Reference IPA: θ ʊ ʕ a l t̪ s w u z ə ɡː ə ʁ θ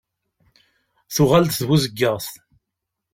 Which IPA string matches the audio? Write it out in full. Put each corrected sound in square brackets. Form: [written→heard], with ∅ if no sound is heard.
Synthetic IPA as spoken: θ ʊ [ʕ→ʁ] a l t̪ [s→θ] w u z ə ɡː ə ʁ θ